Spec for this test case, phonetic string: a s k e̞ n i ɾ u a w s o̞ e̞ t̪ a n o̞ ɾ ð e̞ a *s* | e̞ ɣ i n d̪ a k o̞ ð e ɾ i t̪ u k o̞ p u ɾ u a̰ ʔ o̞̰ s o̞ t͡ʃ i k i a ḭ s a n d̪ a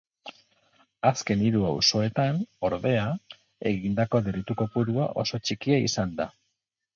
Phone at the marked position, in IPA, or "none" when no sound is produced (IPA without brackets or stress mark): none